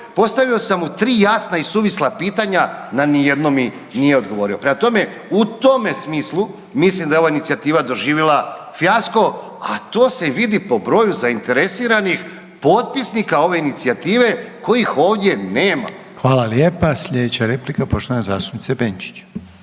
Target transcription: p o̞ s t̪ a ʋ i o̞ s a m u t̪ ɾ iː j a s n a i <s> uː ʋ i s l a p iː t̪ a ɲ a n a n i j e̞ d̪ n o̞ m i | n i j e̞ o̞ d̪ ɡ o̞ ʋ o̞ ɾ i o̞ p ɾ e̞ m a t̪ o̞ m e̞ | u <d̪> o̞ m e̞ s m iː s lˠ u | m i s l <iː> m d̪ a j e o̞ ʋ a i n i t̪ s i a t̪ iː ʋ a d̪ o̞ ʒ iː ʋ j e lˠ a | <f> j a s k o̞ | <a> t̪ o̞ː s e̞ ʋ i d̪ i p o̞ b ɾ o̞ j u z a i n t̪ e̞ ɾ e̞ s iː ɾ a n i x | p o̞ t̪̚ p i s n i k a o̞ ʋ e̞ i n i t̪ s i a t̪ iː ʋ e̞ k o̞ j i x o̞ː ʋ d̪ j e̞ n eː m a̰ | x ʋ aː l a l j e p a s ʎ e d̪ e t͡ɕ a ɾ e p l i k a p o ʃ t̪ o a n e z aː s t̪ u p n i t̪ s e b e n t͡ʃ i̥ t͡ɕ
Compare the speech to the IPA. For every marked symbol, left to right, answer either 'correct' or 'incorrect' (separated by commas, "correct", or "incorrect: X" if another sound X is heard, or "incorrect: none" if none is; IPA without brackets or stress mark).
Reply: correct, incorrect: t̪, incorrect: i, correct, correct